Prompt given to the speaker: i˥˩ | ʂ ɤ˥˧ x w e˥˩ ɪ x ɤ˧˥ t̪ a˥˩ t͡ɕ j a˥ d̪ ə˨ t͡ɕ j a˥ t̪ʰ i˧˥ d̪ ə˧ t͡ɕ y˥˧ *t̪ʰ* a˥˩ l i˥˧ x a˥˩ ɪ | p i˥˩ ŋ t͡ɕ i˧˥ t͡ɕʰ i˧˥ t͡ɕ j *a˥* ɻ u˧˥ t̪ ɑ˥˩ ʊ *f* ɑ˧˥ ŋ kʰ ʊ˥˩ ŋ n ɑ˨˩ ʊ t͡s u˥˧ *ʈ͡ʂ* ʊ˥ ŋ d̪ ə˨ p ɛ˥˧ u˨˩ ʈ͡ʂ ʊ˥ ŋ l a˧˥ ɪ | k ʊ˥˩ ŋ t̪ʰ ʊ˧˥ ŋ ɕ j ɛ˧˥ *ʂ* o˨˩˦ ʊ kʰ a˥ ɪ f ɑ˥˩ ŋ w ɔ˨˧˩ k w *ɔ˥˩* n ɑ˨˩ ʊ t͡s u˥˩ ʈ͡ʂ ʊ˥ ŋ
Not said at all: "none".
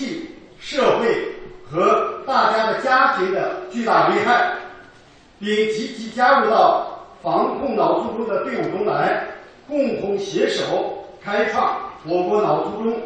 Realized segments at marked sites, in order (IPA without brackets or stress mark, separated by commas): t̪, a˥, f, ʈ͡ʂ, ʂ, ɔ˧˥